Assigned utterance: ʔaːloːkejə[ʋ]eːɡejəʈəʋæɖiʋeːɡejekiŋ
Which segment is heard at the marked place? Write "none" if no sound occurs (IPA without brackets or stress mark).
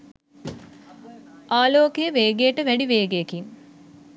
ʋ